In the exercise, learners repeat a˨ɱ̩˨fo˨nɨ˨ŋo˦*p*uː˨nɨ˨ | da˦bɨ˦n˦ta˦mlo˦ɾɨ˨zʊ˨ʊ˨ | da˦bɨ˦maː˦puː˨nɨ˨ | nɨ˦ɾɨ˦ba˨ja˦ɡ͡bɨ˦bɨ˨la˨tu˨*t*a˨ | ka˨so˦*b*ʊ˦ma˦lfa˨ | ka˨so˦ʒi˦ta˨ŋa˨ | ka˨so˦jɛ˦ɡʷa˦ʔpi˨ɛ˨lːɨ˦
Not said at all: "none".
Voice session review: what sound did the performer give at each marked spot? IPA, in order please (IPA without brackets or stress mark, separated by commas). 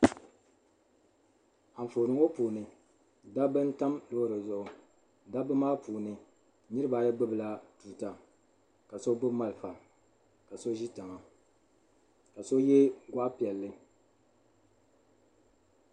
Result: p, t, b